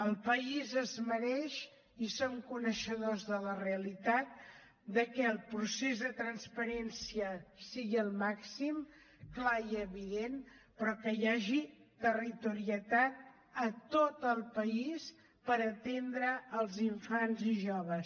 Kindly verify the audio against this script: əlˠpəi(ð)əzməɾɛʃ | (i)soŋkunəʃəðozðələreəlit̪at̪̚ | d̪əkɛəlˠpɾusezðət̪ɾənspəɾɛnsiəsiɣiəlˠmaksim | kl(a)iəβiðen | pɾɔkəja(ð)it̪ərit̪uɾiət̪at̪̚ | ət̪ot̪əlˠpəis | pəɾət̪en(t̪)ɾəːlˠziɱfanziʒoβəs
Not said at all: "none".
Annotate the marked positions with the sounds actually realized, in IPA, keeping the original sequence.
z, i, a, ʒ, d̪

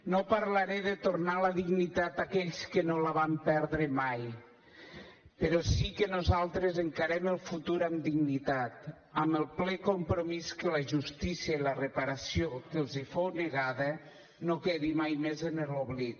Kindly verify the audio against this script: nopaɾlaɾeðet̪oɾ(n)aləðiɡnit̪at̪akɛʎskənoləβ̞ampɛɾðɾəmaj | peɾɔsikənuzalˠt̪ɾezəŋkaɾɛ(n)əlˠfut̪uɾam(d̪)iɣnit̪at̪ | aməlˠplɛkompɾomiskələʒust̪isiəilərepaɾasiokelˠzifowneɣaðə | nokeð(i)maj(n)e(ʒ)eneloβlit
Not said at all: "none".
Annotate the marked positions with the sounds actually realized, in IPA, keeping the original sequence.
n, m, d̪, i, m, z

